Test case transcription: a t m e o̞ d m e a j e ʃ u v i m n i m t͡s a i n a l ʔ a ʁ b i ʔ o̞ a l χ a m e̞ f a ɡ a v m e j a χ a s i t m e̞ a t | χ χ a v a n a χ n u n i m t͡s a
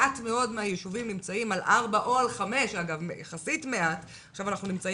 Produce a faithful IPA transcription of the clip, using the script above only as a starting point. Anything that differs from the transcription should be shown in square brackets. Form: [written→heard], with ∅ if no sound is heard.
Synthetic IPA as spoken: a t m e o̞ d m e a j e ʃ u v i m n i m t͡s a i [n→m] a l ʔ a ʁ b [i→a] ʔ o̞ a l χ a m e̞ [f→ʃ] a ɡ a v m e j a χ a s i t m e̞ a t | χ [χ→ʃ] a v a n a χ n u n i m t͡s a

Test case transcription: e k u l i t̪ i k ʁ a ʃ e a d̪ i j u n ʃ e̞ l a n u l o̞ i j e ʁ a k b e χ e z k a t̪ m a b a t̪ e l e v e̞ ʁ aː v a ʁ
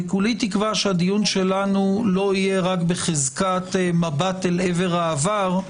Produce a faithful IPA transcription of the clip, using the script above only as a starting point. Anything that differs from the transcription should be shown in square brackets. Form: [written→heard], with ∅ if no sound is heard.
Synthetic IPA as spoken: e k u l i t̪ i k [ʁ→v] a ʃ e a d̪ i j u n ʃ e̞ l a n u l o̞ i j e ʁ a k b e χ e z k a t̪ m a b a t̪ e l e v e̞ ʁ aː v a ʁ

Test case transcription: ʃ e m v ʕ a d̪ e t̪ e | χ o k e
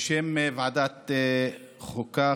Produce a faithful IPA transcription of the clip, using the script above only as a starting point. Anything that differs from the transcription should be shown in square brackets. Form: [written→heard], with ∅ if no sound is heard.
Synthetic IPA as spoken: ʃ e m v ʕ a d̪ [e→a] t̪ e | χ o k [e→a]

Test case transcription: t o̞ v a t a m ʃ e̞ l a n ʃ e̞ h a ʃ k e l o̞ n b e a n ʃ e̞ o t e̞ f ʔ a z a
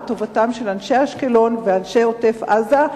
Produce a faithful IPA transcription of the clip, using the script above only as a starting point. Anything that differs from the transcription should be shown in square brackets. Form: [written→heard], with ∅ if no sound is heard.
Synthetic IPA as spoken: t o̞ v a t a m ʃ e̞ l a n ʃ e̞ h a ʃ k e l o̞ n [b→v] e a n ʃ e̞ o t e̞ f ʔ a z a

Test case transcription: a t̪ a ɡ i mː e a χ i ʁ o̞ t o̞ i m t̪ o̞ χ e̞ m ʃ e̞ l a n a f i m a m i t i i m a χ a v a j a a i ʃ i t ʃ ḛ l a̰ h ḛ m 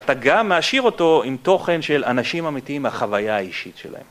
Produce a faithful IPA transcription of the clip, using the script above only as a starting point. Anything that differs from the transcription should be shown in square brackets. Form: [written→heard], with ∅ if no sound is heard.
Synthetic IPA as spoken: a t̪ a ɡ [i→a] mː e a [χ→ʃ] i ʁ o̞ t o̞ i m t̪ o̞ χ e̞ [m→n] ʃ e̞ l a n a [f→ʃ] i m a m i t i i m a χ a v a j a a i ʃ i t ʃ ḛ l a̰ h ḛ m

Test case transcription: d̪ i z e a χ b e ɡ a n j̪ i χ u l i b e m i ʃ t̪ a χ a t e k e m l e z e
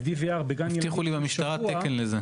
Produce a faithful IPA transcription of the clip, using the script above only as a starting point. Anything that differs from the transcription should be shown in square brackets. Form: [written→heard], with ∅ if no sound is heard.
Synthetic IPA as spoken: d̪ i [z→v] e a [χ→ʁ] b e ɡ a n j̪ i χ u l i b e m i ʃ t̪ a [χ→ʁ] a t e k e [m→n] l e z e

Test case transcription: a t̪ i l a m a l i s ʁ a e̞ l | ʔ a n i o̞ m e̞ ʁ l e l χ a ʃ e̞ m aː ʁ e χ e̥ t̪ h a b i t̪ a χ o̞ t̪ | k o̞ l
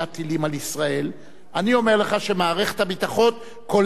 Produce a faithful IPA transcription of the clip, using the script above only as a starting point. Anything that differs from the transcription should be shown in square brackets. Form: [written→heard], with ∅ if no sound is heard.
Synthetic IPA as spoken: a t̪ i l [a→i] m a l i s ʁ a e̞ l | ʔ a n i o̞ m e̞ ʁ l e [l→∅] χ a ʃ e̞ m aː ʁ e χ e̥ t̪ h a b i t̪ a χ o̞ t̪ | k o̞ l

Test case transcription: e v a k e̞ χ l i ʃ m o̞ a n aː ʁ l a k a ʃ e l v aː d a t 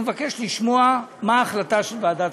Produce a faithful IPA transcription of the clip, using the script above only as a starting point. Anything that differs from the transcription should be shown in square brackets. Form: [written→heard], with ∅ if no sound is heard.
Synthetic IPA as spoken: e v a k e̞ [χ→ʃ] l i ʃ m o̞ a [n→m] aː [ʁ→χ] l a [k→t] a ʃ e l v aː d a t

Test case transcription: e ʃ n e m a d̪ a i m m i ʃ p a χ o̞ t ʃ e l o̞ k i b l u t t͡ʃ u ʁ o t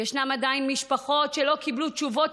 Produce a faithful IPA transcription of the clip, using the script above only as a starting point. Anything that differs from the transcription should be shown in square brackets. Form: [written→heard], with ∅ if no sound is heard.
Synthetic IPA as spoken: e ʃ n [e→a] m a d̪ a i [m→n] m i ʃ p a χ o̞ t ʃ e l o̞ k i b l u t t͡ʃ u [ʁ→v] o t

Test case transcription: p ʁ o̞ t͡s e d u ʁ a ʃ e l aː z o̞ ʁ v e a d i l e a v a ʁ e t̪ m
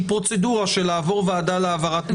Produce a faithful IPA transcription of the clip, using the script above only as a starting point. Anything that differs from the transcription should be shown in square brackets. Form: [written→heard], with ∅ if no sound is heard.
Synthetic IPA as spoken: p ʁ o̞ t͡s e d u ʁ a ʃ e l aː [z→v] o̞ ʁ v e a d [i→a] l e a v a ʁ [e→a] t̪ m

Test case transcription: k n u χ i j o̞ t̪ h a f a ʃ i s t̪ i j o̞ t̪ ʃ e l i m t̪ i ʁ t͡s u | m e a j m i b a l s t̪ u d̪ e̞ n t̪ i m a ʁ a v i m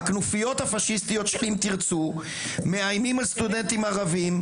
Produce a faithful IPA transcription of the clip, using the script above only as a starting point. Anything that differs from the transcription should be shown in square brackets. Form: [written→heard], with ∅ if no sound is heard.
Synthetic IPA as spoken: k n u [χ→f] i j o̞ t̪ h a f a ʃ i s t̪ i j o̞ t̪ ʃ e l i m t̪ i ʁ t͡s u | m e a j m i [b→m] a l s t̪ u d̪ e̞ n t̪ i m a ʁ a v i m

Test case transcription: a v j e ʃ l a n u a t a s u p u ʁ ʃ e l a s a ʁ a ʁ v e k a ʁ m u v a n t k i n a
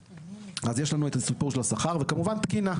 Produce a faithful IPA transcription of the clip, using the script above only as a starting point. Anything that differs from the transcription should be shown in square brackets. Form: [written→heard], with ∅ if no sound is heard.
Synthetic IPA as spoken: a [v→z] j e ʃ l a n u [a→e] t a s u p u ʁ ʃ e l a s a [ʁ→χ] a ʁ v e k a [ʁ→∅] m u v a n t k i n a

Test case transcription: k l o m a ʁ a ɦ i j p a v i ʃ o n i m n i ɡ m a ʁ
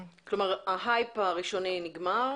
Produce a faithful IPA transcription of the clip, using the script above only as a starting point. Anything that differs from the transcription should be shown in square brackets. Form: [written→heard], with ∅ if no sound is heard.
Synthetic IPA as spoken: k l o m a ʁ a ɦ [i→a] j p a [v→ʁ] i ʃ o n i [m→∅] n i ɡ m a ʁ

